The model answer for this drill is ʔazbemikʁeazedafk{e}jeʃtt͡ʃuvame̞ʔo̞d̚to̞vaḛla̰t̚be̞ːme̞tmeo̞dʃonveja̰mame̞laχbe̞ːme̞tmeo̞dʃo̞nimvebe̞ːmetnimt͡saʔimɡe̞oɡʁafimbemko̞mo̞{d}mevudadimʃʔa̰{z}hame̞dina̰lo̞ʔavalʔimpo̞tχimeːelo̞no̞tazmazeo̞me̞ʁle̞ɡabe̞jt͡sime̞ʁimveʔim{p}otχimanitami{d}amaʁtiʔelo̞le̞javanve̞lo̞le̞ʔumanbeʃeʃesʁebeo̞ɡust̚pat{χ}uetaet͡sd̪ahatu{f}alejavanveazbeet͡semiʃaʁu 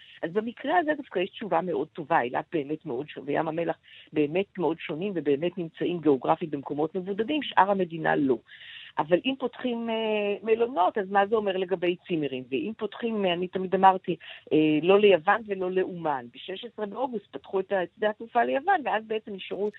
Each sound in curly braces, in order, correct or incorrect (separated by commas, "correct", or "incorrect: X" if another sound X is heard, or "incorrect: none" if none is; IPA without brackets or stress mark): incorrect: a, incorrect: t, incorrect: ʁ, correct, correct, correct, correct